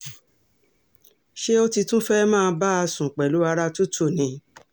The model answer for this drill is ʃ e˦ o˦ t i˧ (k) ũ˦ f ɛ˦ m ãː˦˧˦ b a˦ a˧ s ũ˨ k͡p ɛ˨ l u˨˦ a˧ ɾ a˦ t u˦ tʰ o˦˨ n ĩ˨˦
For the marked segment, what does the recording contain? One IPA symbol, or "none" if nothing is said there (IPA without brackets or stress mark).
t